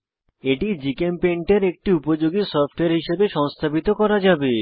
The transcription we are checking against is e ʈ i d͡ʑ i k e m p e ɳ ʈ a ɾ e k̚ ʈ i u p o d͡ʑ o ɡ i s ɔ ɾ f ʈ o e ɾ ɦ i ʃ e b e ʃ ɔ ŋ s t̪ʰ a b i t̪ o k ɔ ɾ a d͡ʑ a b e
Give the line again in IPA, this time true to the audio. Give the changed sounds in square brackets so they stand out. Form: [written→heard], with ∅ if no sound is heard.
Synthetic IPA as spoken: e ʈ i d͡ʑ i k e m p e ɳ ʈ [a→e] ɾ e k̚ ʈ i u p o d͡ʑ o ɡ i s ɔ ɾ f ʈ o e ɾ ɦ i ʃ e b e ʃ ɔ ŋ s t̪ʰ a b i t̪ o k ɔ ɾ a d͡ʑ a b e